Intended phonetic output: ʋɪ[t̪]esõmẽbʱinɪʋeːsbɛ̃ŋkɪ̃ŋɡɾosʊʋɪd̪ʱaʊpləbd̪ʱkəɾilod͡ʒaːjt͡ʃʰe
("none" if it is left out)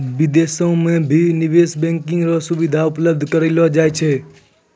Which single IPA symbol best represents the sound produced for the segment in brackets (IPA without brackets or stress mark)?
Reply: d̪